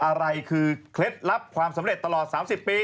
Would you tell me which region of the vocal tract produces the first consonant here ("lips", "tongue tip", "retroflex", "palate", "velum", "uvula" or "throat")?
throat